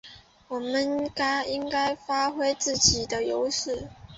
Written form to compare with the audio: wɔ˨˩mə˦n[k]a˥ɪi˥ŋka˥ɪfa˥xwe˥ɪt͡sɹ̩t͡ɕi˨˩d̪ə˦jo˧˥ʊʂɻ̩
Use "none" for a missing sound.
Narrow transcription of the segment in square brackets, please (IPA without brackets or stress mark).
k